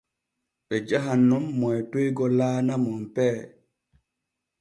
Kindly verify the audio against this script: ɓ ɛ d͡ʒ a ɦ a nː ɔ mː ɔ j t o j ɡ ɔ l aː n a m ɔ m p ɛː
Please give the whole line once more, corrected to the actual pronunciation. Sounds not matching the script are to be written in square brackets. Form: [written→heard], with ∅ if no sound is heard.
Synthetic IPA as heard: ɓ ɛ d͡ʒ a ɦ a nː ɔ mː ɔ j t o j ɡ ɔ l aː n a m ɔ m p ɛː